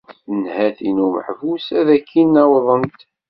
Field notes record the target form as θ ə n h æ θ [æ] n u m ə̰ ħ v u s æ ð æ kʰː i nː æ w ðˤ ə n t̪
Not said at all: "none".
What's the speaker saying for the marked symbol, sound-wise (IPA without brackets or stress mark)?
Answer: i